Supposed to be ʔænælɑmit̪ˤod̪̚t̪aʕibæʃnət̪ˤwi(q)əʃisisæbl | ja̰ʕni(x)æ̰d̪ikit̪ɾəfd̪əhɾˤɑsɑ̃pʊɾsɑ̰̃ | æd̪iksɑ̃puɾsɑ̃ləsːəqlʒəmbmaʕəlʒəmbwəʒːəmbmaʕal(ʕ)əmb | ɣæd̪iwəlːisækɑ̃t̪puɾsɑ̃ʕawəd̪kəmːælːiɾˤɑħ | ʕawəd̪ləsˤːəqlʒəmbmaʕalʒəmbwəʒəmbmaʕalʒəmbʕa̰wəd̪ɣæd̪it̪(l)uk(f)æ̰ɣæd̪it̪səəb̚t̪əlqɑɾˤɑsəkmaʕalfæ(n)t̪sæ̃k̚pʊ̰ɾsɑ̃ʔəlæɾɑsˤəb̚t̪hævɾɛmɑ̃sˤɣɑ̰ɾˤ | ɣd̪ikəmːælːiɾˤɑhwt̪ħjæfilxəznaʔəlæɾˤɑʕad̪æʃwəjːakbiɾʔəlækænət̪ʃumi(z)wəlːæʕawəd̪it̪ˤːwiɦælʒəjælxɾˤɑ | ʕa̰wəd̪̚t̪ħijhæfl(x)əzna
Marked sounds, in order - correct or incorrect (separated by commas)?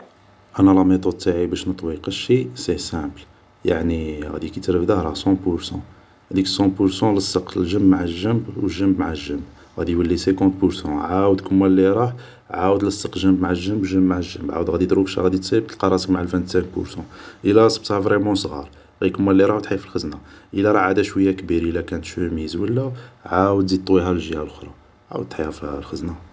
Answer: correct, incorrect, incorrect, incorrect, incorrect, correct, correct, correct